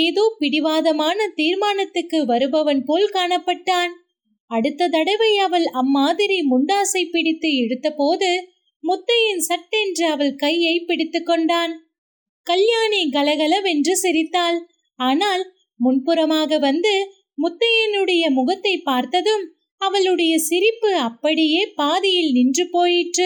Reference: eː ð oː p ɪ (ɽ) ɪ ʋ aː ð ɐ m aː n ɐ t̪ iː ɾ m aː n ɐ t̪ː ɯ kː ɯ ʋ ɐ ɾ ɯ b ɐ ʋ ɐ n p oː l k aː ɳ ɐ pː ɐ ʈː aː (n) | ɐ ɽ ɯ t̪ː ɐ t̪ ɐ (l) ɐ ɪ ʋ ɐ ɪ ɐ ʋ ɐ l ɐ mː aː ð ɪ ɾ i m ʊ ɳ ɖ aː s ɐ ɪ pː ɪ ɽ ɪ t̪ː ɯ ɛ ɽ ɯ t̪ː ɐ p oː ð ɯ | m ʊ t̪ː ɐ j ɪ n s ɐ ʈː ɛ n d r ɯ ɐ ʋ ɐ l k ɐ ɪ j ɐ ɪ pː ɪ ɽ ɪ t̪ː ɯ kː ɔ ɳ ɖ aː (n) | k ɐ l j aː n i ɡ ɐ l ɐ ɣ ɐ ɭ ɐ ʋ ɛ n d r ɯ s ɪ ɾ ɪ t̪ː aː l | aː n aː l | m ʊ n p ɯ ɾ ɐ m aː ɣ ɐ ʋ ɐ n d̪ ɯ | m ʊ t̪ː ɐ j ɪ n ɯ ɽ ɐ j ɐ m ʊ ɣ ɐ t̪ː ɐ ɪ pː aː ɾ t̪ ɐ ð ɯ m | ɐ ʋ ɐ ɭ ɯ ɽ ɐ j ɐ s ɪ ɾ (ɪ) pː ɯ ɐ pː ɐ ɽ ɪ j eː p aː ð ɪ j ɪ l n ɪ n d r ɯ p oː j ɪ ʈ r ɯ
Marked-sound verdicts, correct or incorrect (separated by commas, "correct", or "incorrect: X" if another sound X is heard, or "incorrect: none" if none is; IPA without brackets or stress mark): correct, correct, incorrect: ɽ, correct, correct